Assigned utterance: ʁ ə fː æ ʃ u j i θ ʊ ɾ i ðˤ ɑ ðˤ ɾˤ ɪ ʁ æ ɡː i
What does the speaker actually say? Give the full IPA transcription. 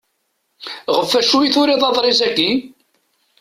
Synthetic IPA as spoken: ʁ ə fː æ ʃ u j i θ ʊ ɾ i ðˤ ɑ ðˤ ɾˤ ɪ z æ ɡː i